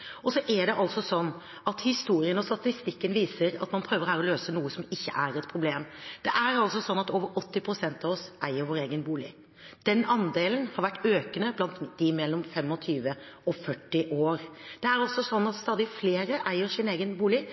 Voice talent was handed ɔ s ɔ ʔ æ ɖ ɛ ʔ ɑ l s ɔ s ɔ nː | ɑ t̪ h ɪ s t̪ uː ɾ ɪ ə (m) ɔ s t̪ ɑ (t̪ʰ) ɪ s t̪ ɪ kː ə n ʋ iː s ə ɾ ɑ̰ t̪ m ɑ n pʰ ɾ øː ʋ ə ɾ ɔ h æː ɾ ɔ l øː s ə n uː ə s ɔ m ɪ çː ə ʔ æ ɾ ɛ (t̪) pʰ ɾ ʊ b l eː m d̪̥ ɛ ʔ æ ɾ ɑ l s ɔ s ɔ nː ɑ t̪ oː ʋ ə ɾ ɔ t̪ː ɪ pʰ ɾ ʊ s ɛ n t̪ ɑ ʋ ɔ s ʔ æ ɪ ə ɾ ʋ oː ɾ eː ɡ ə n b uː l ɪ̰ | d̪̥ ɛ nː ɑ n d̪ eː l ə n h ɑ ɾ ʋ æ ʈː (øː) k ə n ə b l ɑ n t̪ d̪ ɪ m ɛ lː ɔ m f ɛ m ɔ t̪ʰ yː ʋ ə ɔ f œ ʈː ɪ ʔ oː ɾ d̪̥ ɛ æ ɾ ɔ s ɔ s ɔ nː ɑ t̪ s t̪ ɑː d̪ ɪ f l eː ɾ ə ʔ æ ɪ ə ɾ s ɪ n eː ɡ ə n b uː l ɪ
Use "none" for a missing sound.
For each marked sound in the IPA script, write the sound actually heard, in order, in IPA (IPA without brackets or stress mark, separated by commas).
n, t̪, t̪, øː